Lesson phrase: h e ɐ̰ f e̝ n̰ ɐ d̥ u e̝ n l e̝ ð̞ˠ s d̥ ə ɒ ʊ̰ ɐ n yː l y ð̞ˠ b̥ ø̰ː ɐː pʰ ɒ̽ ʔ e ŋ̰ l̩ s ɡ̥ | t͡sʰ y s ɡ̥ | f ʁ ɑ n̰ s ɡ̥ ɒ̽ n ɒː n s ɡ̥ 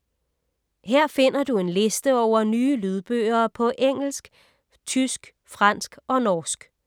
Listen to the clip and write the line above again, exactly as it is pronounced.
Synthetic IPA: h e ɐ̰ f e̝ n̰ ɐ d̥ u e̝ n l e̝ s d̥ ə ɒ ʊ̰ ɐ n yː l y ð̞ˠ b̥ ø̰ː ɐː pʰ ɒ̽ ʔ e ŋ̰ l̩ s ɡ̥ | t͡sʰ y s ɡ̥ | f ʁ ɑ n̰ s ɡ̥ ɒ̽ n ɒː s ɡ̥